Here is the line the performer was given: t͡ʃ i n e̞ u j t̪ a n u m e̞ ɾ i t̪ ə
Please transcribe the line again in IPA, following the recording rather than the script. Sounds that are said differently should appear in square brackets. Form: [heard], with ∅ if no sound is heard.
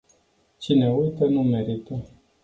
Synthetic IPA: t͡ʃ i n e̞ u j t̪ [ə] n u m e̞ ɾ i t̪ ə